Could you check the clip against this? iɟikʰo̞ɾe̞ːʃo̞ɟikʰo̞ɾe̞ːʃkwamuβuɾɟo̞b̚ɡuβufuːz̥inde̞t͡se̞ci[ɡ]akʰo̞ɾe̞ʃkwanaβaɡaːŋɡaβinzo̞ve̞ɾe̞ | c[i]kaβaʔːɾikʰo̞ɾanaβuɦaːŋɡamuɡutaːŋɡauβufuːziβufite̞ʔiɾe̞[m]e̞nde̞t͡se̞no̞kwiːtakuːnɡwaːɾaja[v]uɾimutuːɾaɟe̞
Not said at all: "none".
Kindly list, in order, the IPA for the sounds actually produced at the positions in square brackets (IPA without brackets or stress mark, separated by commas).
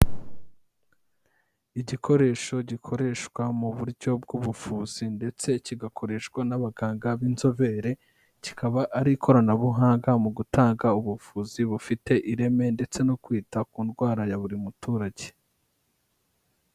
ɡ, i, m, β